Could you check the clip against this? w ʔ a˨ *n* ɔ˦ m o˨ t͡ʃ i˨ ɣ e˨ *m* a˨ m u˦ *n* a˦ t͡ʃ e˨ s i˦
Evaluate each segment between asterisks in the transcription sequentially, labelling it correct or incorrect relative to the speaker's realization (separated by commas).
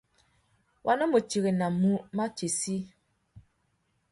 correct, incorrect, incorrect